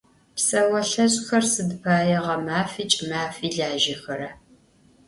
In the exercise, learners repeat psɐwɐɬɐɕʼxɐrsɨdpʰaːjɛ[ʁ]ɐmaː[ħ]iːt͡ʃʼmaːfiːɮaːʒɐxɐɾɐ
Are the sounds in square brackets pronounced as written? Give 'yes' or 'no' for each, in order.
yes, no

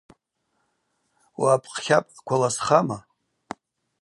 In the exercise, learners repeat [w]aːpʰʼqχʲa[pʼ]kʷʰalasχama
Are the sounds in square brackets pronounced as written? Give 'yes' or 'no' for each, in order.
yes, yes

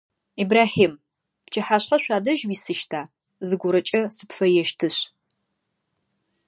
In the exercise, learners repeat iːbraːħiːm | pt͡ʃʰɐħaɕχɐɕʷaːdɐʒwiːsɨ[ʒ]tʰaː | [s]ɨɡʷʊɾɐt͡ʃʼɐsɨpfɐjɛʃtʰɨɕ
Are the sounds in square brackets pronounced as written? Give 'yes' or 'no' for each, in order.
no, no

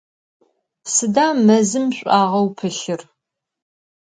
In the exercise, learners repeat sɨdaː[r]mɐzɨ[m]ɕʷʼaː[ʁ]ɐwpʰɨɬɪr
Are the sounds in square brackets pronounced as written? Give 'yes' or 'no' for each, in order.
no, yes, yes

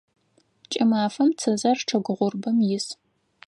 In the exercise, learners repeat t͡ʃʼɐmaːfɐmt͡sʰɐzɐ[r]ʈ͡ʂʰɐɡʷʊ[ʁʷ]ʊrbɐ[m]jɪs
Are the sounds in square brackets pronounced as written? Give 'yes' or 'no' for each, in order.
yes, yes, yes

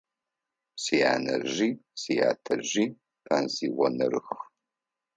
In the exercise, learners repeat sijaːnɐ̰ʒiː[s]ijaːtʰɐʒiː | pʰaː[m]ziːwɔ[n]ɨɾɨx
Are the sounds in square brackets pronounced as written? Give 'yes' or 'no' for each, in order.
yes, no, yes

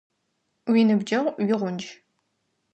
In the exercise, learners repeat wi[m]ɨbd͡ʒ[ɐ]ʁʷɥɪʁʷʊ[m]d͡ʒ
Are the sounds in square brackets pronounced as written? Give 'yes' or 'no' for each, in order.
no, yes, no

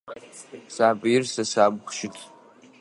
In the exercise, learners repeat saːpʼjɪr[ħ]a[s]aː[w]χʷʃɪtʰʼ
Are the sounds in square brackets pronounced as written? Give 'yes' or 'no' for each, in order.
no, yes, no

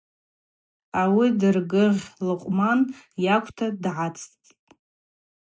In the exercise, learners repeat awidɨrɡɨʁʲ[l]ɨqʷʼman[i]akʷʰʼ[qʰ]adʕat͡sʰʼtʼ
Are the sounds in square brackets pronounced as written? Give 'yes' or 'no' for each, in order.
yes, no, no

